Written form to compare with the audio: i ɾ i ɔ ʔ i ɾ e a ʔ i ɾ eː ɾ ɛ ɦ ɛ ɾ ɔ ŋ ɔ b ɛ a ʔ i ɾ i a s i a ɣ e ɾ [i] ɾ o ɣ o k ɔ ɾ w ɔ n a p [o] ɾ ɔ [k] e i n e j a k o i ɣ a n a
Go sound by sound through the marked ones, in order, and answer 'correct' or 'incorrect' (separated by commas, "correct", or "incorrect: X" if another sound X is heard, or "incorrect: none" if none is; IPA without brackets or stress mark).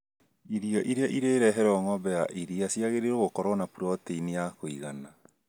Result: incorrect: e, incorrect: u, incorrect: t